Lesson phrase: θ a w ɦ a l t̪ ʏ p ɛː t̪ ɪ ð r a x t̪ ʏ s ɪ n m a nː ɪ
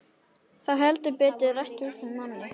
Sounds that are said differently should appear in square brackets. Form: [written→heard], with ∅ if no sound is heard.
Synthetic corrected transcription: θ a w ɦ [a→ɛ] l t̪ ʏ p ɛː t̪ ɪ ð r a [x→s] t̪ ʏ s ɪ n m a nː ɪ